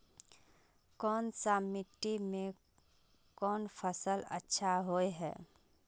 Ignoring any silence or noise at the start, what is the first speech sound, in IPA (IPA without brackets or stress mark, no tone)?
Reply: k